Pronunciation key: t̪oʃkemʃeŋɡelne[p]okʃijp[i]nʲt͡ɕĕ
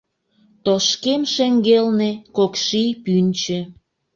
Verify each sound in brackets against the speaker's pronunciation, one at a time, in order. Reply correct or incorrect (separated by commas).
incorrect, incorrect